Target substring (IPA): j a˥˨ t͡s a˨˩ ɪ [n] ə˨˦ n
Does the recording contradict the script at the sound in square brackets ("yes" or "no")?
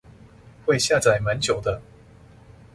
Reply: yes